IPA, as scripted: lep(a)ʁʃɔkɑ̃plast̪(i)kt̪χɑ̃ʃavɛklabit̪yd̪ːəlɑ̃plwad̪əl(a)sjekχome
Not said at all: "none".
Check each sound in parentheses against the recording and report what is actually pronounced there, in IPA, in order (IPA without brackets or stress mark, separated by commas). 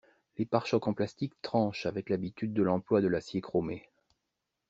a, i, a